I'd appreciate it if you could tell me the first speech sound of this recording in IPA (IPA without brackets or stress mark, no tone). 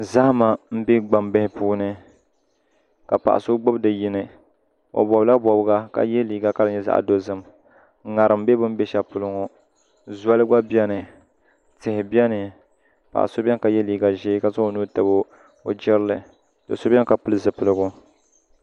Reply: z